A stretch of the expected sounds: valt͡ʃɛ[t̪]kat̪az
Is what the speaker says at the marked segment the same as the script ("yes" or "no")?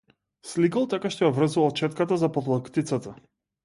yes